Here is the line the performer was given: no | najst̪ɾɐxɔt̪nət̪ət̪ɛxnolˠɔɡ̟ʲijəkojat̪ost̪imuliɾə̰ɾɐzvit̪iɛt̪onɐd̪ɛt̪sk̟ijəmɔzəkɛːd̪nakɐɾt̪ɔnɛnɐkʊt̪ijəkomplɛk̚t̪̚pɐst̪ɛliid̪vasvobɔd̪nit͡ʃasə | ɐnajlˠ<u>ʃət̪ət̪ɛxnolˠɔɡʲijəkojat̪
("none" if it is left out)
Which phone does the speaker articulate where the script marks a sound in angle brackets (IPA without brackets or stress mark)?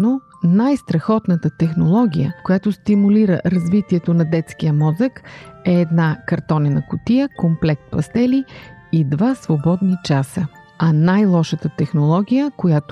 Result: ɔ